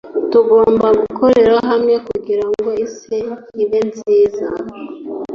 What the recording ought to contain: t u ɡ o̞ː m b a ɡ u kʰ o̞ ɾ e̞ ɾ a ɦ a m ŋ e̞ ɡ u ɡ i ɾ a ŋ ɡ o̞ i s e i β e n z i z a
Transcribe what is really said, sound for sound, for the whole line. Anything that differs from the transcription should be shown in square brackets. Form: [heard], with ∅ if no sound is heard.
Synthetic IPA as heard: t u ɡ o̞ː m b a ɡ u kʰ o̞ ɾ e̞ ɾ a ɦ a m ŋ e̞ [k] u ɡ i ɾ a ŋ ɡ o̞ i s e i β e n z [iː] z a